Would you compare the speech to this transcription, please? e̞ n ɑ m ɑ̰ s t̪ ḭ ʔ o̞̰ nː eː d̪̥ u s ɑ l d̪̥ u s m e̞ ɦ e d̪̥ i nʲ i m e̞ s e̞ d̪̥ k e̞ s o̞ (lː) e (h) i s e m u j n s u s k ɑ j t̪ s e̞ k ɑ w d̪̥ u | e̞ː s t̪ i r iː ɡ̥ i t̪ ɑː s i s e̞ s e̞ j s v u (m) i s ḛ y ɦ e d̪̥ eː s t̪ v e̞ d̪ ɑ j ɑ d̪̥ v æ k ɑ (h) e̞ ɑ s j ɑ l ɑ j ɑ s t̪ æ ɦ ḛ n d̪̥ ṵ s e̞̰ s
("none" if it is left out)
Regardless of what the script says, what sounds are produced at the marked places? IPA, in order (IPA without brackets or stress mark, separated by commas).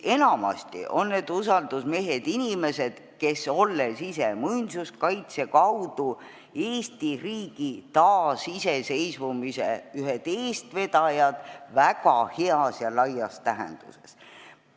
lː, s, m, h